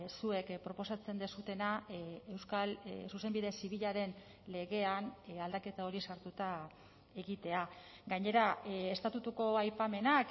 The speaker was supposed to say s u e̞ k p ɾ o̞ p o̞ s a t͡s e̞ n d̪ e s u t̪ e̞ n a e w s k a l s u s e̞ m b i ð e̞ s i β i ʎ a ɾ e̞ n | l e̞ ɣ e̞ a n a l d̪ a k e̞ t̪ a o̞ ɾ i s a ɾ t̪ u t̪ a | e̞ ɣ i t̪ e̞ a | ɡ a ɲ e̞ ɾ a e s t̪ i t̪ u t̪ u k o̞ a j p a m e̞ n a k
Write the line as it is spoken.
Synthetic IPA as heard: s u e̞ k p ɾ o̞ p o̞ s a t͡s e̞ n d̪ e s u t̪ e̞ n a e w s k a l s u s e̞ m b i ð e̞ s i β i ʎ a ɾ e̞ n | l e̞ ɣ e̞ a n a l d̪ a k e̞ t̪ a o̞ ɾ i s a ɾ t̪ u t̪ a | e̞ ɣ i t̪ e̞ a | ɡ a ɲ e̞ ɾ a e s t̪ a t̪ u t̪ u k o̞ a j p a m e̞ n a k